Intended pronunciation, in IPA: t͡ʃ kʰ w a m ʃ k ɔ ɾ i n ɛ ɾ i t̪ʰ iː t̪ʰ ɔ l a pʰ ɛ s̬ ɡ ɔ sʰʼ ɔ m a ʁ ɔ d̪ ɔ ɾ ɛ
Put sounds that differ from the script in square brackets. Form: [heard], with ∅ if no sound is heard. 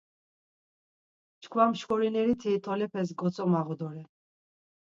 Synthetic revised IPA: t͡ʃ kʰ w a m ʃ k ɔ ɾ i n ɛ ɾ i t̪ʰ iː t̪ʰ ɔ l [ɛ] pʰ ɛ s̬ ɡ ɔ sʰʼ ɔ m a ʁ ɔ d̪ ɔ ɾ ɛ